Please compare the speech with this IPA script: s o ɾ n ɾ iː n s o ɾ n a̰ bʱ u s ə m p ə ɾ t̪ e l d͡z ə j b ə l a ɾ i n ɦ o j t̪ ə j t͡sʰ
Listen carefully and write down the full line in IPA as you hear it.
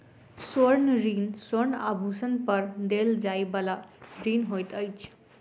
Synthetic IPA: s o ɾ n ɾ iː n s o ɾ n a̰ bʱ u s ə n p ə ɾ d̪ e l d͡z a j b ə l a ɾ i n ɦ o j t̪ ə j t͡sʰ